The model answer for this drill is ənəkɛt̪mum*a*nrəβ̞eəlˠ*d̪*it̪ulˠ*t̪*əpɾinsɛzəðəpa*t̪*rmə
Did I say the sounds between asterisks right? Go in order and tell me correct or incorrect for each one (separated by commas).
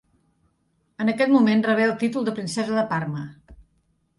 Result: incorrect, incorrect, incorrect, incorrect